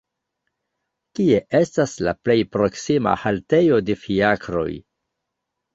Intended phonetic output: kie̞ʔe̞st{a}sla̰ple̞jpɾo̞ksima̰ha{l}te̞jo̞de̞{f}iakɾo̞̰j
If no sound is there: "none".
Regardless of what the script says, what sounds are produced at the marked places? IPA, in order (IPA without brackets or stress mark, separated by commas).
a, l, f